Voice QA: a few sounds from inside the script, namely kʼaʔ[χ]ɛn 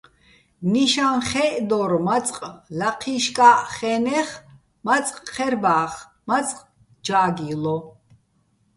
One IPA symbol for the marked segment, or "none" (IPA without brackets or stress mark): χ